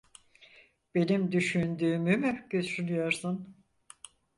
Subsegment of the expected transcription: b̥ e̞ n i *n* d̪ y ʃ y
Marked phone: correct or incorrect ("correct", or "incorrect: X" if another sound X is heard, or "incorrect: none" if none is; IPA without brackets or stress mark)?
incorrect: m